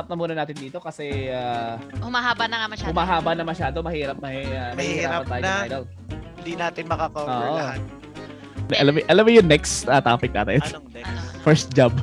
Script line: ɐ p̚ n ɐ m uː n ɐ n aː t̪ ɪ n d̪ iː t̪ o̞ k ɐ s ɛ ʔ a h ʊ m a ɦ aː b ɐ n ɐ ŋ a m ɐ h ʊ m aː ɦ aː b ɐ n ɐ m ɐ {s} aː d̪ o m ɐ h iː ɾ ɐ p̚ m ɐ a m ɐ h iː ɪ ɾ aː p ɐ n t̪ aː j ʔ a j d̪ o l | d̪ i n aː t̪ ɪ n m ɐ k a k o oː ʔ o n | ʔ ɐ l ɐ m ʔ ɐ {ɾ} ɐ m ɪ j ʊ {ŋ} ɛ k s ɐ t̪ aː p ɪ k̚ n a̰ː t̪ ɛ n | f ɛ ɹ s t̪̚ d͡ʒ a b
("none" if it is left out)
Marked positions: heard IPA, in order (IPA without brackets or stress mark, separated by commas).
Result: ʃ, l, n